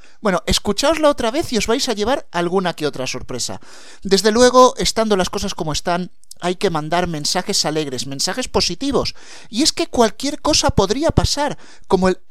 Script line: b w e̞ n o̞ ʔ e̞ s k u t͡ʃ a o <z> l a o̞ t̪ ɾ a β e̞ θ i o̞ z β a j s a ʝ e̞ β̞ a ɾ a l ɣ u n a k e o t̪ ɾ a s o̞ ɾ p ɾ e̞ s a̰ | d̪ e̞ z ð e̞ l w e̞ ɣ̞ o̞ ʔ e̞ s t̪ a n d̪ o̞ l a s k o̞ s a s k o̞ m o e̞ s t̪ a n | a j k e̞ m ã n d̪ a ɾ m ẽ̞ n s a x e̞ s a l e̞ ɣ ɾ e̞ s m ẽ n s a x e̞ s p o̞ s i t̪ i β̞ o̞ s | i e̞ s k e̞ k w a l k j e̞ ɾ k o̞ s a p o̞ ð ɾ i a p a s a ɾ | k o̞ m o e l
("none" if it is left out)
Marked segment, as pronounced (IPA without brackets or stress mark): z